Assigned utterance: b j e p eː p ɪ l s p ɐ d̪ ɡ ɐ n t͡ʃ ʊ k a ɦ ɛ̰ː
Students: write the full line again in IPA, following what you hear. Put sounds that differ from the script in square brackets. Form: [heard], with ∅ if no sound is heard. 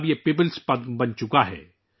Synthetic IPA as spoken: b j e p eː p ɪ l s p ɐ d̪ [b] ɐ n t͡ʃ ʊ k a ɦ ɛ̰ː